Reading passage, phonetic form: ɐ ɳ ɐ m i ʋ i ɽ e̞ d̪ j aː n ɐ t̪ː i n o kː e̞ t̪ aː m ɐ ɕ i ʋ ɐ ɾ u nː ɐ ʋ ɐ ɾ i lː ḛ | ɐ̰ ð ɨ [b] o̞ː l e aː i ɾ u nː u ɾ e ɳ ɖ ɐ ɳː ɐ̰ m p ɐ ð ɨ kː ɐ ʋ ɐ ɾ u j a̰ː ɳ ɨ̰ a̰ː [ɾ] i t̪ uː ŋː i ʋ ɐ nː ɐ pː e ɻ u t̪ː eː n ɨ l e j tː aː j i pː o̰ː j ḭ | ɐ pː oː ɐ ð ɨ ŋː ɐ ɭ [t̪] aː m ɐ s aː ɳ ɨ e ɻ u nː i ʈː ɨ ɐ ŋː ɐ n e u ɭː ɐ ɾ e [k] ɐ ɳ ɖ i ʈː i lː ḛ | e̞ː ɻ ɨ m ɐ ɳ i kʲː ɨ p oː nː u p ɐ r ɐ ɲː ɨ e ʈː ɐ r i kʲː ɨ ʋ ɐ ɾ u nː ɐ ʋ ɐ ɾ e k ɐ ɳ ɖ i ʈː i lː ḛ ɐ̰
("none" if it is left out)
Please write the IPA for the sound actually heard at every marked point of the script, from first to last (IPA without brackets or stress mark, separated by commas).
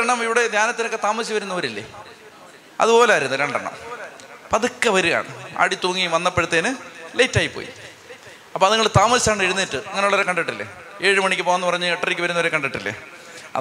p, ɽ, t̪, k